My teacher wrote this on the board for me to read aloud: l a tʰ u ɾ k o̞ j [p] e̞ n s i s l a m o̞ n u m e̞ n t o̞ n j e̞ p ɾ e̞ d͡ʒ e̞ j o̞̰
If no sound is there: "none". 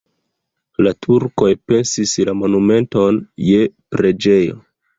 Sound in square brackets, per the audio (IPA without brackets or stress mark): p